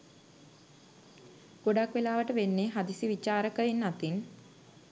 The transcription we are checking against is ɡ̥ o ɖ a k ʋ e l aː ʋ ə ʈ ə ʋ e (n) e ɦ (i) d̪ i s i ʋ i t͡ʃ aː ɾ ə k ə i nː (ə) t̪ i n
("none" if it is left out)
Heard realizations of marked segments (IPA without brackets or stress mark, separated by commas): nː, a, a